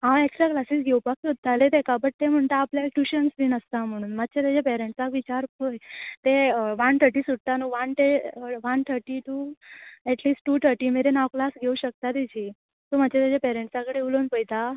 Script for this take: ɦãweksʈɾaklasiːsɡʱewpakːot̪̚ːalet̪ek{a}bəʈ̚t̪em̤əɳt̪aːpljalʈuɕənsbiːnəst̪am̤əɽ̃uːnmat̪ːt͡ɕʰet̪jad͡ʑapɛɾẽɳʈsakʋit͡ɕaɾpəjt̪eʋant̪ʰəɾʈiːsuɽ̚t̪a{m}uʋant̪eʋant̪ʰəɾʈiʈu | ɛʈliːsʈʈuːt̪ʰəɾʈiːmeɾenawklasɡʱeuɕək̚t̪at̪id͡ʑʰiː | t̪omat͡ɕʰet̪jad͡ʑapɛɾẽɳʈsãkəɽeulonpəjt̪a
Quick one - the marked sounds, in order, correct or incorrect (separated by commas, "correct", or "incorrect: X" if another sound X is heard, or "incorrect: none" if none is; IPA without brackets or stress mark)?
correct, incorrect: n